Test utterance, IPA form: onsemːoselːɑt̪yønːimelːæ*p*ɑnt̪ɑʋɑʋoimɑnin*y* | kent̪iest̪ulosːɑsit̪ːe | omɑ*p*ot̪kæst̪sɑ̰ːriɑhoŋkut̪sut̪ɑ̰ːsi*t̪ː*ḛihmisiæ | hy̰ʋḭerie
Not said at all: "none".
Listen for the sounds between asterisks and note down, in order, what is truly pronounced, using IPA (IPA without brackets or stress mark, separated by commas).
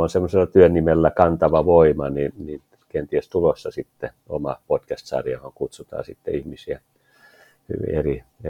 k, i, p, t̪ː